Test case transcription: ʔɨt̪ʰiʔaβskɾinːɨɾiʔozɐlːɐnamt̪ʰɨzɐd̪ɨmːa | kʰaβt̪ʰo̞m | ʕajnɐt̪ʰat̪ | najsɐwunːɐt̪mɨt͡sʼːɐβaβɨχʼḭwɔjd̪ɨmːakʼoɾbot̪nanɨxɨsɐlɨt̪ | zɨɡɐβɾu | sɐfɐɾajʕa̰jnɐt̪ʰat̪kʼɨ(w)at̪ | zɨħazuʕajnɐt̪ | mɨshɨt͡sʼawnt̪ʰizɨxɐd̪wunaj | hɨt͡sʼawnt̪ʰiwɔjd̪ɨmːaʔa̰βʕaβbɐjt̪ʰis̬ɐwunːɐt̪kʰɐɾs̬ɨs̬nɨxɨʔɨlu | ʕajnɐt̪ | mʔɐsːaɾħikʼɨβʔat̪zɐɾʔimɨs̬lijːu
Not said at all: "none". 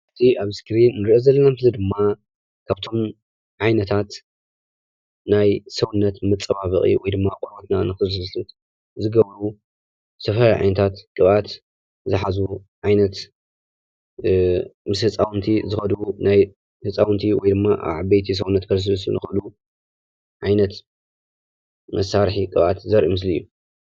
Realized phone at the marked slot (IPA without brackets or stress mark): β